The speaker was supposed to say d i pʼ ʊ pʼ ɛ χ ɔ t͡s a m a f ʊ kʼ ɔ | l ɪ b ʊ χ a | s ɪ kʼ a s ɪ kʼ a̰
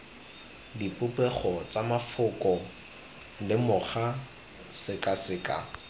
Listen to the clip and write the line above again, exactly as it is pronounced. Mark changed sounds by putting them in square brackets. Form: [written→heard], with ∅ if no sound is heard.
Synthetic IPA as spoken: d i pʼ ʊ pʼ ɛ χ ɔ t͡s a m a f ʊ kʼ ɔ | l ɪ [b→m] ʊ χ a | s ɪ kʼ a s ɪ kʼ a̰